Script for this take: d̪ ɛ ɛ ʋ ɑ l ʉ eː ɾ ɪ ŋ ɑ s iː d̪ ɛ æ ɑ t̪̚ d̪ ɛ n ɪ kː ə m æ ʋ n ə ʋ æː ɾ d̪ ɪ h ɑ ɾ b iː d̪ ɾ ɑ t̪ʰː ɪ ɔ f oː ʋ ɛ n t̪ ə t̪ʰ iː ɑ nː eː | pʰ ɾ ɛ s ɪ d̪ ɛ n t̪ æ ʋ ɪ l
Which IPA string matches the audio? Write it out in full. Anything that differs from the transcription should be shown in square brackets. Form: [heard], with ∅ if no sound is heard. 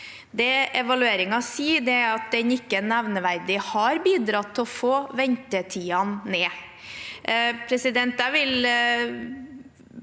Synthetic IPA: d̪ ɛ ɛ ʋ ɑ l ʉ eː ɾ ɪ ŋ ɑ s iː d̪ ɛ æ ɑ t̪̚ d̪ ɛ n ɪ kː ə [n] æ ʋ n ə ʋ [æ] ɾ d̪ ɪ h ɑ ɾ b iː d̪ ɾ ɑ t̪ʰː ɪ ɔ f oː ʋ ɛ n t̪ ə t̪ʰ iː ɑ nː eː | pʰ ɾ ɛ s ɪ d̪ ɛ n t̪ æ ʋ ɪ l